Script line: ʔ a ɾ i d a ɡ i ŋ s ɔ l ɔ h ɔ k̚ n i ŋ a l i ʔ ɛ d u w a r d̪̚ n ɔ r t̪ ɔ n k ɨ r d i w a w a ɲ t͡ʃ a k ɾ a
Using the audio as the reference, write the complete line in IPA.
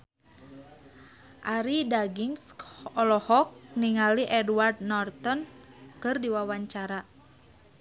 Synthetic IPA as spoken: ʔ a ɾ i d a ɡ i ŋ s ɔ l ɔ h ɔ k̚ n i ŋ a l i ʔ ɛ d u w a r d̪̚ n ɔ r t̪ ɔ n k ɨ r d i w a w a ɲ t͡ʃ a ɾ a